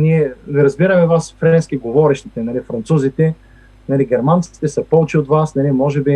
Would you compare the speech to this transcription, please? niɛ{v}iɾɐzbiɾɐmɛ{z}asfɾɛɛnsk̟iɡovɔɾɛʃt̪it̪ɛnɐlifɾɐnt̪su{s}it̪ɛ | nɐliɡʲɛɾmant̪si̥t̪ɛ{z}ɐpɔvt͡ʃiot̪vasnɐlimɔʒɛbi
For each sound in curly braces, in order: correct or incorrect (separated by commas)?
correct, incorrect, incorrect, incorrect